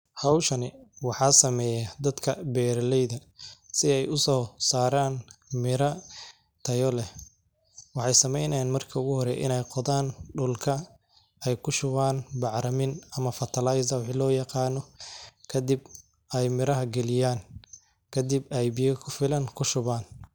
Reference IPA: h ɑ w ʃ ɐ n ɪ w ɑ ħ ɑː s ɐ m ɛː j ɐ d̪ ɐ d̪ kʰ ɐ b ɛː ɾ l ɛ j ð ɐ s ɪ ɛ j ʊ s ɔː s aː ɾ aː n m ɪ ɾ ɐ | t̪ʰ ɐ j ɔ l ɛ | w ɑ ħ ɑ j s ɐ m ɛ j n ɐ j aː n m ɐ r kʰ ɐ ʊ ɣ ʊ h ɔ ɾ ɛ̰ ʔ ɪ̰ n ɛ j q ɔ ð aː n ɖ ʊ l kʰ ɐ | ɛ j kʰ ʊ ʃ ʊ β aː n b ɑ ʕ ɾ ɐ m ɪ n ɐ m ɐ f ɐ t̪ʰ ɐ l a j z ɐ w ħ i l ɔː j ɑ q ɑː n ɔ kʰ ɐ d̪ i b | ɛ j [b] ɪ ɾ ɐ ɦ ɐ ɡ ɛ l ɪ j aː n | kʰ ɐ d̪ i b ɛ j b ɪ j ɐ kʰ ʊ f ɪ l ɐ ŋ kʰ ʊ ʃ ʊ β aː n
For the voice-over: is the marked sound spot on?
no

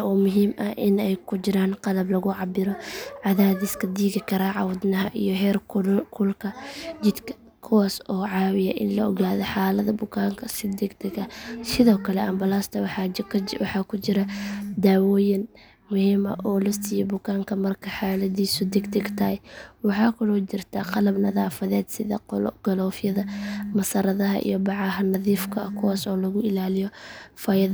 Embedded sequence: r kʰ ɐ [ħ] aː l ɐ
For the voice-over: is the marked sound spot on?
yes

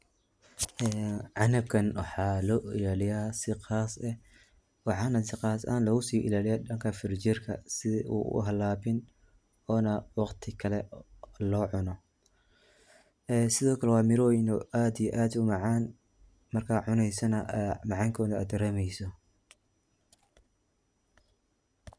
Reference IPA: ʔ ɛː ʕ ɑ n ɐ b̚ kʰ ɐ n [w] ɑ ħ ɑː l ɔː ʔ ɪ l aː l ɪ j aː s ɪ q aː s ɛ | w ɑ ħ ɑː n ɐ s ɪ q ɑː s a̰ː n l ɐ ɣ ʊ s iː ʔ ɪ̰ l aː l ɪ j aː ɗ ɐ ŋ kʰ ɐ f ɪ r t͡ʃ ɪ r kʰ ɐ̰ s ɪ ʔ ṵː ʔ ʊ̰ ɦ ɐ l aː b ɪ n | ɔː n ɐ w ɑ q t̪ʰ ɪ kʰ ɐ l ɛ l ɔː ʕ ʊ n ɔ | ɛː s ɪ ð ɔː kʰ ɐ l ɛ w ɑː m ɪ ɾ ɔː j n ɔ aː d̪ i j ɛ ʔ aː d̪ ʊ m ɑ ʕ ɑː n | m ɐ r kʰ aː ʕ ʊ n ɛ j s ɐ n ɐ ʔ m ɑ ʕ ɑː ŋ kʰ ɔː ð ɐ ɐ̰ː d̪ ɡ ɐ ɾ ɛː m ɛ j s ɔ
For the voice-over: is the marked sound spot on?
yes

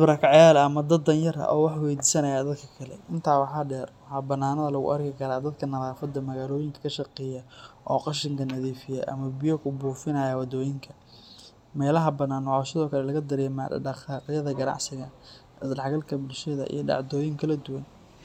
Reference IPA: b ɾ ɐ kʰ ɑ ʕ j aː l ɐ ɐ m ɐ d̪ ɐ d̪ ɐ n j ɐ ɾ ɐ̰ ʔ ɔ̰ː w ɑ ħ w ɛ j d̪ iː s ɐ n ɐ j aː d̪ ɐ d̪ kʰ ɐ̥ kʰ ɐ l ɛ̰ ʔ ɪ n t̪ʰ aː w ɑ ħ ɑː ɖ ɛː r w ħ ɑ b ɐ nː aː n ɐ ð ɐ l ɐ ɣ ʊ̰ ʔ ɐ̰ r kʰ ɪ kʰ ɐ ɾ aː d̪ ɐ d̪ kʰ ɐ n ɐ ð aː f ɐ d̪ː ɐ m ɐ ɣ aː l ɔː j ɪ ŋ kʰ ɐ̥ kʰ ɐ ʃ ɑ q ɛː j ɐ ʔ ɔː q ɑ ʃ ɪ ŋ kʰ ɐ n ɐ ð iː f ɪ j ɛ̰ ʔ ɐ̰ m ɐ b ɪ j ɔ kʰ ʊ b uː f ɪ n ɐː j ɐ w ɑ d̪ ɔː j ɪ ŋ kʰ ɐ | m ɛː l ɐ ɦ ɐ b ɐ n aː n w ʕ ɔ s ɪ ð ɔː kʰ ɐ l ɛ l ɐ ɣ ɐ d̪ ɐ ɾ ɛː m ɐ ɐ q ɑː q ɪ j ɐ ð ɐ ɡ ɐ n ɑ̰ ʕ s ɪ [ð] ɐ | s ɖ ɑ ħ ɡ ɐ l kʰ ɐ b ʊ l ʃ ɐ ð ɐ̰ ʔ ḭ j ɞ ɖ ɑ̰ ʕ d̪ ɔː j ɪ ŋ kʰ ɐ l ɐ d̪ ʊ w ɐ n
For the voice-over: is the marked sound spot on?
no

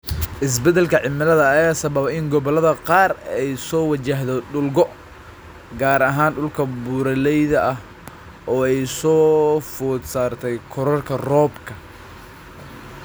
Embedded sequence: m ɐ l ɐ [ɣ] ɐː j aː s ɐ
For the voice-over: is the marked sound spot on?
no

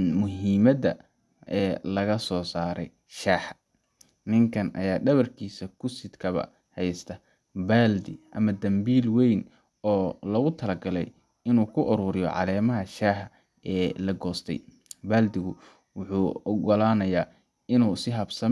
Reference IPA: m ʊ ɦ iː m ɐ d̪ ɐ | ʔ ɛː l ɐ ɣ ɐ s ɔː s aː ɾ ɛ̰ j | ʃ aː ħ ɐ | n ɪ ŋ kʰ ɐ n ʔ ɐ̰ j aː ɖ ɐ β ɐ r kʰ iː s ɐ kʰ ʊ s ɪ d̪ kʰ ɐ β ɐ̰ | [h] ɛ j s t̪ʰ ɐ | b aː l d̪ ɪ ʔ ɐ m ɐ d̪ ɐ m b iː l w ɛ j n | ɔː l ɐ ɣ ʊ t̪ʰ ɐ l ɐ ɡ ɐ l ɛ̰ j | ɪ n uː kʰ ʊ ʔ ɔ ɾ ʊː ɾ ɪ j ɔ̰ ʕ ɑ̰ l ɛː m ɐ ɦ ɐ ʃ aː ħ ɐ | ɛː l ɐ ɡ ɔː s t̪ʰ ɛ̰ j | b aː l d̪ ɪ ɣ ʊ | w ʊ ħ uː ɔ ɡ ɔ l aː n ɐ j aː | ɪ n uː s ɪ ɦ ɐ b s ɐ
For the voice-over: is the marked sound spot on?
yes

